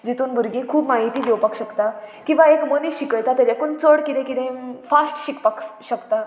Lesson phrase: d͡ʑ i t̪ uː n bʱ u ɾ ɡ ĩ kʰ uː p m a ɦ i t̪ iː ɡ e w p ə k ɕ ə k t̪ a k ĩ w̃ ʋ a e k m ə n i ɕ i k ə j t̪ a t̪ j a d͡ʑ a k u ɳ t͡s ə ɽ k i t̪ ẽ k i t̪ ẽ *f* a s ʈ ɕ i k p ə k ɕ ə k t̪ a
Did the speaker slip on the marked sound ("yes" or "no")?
no